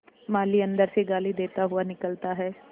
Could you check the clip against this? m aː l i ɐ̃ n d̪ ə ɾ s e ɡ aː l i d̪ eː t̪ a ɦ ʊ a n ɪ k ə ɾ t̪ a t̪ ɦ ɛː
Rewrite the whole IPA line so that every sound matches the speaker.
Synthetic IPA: m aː l i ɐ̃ n d̪ ə ɾ s e ɡ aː l i d̪ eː t̪ a ɦ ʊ a n ɪ k ə l t̪ a ɦ ɛː